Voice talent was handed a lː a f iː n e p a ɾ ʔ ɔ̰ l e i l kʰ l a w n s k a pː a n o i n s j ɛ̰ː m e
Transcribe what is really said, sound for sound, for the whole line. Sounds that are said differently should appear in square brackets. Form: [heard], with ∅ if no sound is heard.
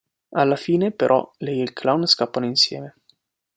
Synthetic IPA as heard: a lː a f iː n e p [e] ɾ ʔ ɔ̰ l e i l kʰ l a w n s k a pː a n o i n s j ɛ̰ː m e